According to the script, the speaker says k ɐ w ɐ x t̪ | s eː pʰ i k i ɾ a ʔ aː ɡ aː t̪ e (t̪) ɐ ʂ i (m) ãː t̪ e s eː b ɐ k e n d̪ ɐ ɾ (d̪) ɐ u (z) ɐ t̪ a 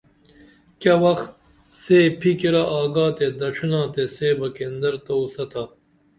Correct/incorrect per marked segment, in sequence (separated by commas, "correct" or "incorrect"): incorrect, incorrect, incorrect, incorrect